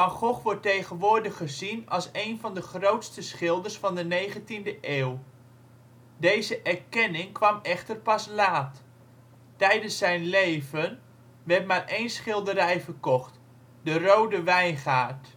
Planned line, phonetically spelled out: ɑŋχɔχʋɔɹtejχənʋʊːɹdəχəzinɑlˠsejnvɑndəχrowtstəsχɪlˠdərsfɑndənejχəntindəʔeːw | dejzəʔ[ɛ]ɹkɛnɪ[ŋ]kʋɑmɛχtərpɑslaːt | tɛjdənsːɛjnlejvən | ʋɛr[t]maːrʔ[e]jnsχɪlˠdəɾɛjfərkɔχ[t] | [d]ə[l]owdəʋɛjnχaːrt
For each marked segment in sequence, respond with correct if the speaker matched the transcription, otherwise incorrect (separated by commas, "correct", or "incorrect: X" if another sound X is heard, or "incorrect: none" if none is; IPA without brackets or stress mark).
correct, correct, correct, correct, correct, correct, incorrect: r